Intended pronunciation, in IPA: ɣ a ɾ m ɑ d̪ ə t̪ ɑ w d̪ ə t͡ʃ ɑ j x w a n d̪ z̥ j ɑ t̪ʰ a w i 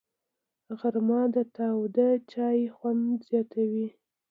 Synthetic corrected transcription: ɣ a ɾ m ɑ d̪ ə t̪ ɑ w d̪ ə t͡ʃ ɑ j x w a n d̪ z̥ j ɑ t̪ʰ a w i